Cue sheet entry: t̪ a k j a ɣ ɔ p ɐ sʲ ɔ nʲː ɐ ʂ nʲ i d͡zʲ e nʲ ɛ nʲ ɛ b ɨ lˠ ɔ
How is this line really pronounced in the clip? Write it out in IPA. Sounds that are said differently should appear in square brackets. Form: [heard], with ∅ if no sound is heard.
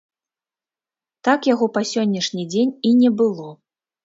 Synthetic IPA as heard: t̪ a k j a ɣ ɔ p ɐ sʲ ɔ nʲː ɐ ʂ nʲ i d͡zʲ e nʲ [i] nʲ ɛ b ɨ lˠ ɔ